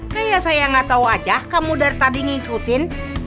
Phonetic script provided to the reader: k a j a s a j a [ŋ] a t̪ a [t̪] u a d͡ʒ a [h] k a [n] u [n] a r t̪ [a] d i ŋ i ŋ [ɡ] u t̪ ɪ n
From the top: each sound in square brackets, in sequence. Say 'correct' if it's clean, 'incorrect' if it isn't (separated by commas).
correct, incorrect, correct, incorrect, incorrect, correct, incorrect